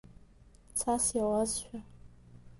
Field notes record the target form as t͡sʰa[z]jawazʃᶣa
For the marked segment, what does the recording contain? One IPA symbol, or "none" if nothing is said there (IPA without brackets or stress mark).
s